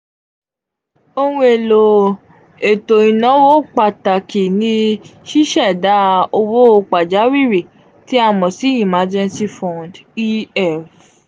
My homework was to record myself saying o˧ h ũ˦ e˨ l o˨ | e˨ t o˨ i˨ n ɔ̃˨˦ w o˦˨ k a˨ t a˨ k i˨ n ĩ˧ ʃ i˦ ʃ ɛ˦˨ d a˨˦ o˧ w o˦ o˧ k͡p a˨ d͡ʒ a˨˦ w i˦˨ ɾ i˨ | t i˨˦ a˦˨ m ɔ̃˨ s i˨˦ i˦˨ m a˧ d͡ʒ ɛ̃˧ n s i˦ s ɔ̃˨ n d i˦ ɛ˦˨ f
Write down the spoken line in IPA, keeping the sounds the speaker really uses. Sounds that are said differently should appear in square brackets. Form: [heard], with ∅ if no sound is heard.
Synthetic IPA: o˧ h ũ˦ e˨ l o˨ | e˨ t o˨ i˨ n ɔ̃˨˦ w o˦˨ [k͡p] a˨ t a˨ k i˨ n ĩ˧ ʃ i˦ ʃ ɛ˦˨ d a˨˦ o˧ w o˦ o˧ k͡p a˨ d͡ʒ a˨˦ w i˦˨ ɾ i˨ | t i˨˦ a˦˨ m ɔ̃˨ s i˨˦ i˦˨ m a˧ d͡ʒ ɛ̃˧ n s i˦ [f] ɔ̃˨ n d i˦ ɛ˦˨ f

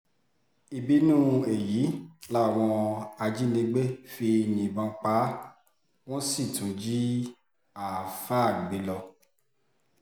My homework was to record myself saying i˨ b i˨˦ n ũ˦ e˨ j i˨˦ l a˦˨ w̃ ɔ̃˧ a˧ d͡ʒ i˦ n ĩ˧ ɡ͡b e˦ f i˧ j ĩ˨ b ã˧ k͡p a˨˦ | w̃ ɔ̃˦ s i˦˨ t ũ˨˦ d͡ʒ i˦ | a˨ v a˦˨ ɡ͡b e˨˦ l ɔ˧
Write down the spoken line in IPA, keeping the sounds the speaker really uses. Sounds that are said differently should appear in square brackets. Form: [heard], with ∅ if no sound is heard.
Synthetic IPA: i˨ b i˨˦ n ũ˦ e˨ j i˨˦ l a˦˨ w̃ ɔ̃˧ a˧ d͡ʒ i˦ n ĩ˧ ɡ͡b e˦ f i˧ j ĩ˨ b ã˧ k͡p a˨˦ | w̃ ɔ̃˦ s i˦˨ t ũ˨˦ d͡ʒ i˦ | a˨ [f] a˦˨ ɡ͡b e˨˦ l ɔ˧

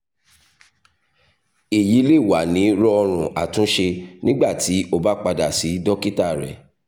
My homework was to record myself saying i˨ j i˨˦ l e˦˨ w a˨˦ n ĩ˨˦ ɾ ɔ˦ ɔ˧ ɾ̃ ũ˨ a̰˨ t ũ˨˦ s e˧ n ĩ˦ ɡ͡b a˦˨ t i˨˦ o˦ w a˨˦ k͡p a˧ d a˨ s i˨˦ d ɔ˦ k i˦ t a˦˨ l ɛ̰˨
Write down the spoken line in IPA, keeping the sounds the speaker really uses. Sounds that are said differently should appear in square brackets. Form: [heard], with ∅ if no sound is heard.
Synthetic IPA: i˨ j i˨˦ l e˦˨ w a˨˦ n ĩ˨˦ ɾ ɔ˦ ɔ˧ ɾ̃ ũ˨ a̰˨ t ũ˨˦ [ʃ] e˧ n ĩ˦ ɡ͡b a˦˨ t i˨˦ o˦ [b] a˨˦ k͡p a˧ d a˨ s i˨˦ d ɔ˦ k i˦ t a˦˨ [ɾ] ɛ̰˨

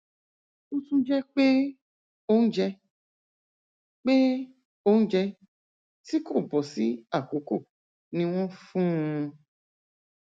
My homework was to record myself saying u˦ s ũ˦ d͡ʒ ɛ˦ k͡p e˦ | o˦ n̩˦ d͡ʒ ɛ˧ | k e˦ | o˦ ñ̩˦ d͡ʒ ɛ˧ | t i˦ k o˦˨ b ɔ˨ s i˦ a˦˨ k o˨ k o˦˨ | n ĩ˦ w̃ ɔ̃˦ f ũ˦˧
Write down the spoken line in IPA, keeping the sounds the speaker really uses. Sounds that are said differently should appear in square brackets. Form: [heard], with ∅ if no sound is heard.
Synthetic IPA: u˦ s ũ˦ d͡ʒ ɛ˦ k͡p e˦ | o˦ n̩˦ d͡ʒ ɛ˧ | [k͡p] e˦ | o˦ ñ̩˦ d͡ʒ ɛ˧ | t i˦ k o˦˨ b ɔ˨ s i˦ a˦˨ k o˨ k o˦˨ | n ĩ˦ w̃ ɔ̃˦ f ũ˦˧

